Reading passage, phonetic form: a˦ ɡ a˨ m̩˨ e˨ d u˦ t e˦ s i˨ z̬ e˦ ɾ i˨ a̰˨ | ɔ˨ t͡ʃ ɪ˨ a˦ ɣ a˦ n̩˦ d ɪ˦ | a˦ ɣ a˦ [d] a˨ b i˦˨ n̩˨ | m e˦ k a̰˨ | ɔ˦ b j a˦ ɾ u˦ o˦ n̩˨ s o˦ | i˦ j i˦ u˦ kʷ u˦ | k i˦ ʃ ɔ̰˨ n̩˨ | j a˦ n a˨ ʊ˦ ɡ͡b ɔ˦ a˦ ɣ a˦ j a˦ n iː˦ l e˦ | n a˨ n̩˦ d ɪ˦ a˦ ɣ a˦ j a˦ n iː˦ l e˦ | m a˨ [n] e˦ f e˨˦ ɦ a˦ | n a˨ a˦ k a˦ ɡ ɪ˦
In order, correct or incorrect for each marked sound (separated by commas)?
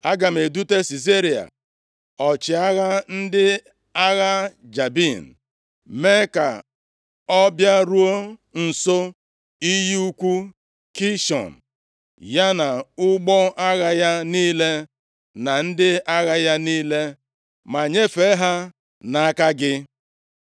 incorrect, incorrect